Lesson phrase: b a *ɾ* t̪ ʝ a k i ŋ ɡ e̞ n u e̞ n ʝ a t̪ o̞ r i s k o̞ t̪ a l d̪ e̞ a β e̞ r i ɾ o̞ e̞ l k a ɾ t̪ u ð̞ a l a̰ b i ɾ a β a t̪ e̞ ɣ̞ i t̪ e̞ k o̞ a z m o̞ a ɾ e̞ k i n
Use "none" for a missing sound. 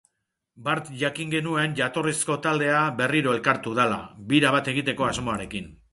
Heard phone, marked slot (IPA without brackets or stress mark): ɾ